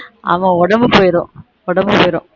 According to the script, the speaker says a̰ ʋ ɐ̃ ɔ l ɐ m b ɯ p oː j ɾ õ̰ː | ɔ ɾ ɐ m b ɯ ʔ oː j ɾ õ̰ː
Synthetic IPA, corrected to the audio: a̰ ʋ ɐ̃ ɔ ɽ ɐ m b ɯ p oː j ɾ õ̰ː | ɔ ɽ ɐ m b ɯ p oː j ɾ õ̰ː